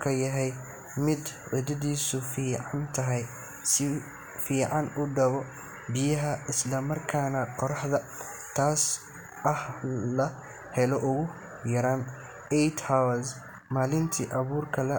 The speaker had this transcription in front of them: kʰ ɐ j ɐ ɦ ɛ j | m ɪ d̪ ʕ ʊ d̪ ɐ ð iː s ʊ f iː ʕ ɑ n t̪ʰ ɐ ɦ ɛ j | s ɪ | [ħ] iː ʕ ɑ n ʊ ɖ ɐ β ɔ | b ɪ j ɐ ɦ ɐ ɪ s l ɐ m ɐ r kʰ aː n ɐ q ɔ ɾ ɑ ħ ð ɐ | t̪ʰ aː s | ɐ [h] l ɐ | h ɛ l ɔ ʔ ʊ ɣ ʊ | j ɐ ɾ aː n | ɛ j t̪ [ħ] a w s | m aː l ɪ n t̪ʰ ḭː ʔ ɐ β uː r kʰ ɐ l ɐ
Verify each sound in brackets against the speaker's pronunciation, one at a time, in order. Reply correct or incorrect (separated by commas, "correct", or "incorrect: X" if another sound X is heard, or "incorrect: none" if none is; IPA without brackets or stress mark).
incorrect: f, correct, incorrect: h